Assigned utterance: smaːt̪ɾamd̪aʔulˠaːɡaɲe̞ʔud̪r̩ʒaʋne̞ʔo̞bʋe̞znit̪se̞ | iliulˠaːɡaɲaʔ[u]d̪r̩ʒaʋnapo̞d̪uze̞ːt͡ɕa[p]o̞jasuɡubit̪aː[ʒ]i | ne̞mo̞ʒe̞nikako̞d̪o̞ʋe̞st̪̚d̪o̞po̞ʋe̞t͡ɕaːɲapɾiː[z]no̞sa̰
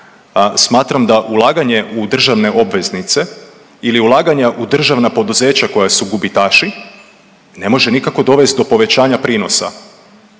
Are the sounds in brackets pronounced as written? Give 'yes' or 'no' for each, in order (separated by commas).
yes, no, no, no